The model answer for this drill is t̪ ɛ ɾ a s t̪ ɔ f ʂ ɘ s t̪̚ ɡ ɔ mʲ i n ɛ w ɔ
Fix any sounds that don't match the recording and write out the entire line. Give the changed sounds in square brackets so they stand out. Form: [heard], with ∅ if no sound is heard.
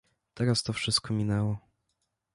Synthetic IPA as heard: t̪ ɛ ɾ a s t̪ ɔ f ʂ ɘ s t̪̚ [k] ɔ mʲ i n ɛ w ɔ